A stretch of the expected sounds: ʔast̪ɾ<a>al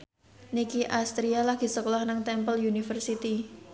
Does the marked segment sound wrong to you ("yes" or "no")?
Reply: yes